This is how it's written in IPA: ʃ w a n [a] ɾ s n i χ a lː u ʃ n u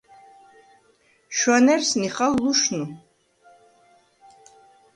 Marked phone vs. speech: incorrect: ɛ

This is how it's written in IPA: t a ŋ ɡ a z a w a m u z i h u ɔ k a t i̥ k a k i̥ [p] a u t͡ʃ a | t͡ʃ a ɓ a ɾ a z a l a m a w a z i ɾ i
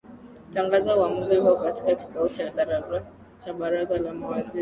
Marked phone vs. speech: incorrect: k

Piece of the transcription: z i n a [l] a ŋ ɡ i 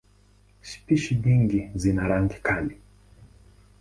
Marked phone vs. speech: incorrect: ɾ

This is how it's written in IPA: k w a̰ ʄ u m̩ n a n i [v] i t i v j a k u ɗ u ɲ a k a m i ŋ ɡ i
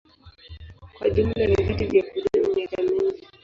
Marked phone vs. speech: correct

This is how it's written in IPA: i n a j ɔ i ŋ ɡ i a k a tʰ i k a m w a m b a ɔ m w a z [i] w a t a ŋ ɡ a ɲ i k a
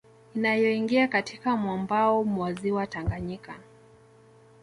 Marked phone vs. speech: correct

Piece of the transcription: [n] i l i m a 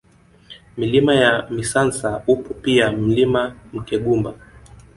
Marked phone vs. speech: incorrect: m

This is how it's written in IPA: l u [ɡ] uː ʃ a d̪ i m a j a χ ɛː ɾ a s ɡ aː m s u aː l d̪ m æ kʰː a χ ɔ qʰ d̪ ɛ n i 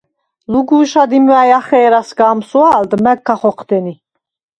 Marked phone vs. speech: correct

